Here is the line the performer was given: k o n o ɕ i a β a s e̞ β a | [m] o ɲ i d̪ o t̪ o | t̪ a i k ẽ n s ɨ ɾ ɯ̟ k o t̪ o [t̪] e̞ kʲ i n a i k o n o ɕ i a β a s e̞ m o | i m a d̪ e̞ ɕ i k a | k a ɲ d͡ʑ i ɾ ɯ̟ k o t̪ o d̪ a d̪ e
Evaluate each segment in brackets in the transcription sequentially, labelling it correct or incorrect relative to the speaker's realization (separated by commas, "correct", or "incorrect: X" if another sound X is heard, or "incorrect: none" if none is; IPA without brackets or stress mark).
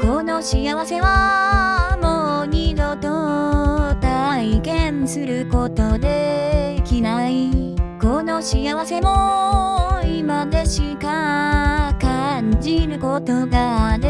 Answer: correct, incorrect: d̪